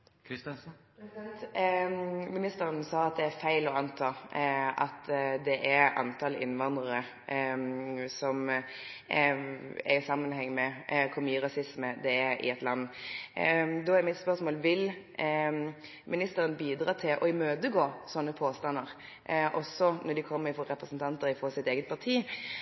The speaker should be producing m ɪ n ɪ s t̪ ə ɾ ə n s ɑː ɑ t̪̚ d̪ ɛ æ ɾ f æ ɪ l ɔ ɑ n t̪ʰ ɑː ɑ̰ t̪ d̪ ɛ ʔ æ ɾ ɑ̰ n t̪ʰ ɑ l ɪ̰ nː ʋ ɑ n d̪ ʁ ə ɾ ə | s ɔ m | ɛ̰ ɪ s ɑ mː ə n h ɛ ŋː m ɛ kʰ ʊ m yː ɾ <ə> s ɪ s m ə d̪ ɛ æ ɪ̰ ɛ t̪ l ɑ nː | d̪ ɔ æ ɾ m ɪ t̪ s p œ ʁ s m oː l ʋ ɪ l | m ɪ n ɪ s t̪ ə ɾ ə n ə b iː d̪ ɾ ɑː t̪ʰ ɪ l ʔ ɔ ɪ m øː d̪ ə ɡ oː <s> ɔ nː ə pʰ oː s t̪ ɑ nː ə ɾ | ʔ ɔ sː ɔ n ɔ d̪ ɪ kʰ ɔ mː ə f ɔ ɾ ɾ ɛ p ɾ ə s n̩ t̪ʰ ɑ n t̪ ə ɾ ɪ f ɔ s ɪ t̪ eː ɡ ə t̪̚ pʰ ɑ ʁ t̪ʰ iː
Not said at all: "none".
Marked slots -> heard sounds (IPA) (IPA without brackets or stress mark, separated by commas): ɑ, s